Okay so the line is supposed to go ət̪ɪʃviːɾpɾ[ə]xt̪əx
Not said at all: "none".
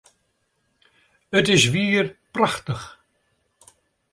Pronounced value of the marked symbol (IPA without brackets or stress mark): a